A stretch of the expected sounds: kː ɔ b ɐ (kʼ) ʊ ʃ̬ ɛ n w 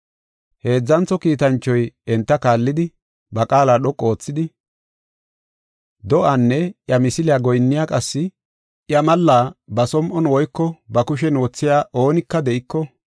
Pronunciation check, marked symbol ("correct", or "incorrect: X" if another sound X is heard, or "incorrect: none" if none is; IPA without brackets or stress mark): incorrect: k